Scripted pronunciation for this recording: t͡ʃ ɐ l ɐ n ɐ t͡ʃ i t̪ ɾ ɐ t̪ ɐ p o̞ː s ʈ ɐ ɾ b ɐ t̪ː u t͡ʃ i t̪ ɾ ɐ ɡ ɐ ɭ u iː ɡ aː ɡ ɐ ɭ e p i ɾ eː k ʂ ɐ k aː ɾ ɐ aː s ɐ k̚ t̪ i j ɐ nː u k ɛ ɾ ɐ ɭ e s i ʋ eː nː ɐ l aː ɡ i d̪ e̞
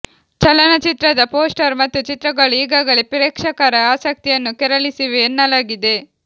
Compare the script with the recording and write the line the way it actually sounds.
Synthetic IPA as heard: t͡ʃ ɐ l ɐ n ɐ t͡ʃ i t̪ ɾ ɐ d̪ ɐ p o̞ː s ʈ ɐ ɾ m ɐ t̪ː u t͡ʃ i t̪ ɾ ɐ ɡ ɐ ɭ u iː ɡ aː ɡ ɐ ɭ e p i ɾ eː k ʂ ɐ k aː ɾ ɐ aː s ɐ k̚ t̪ i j ɐ nː u k ɛ ɾ ɐ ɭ i s i ʋ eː nː ɐ l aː ɡ i d̪ e̞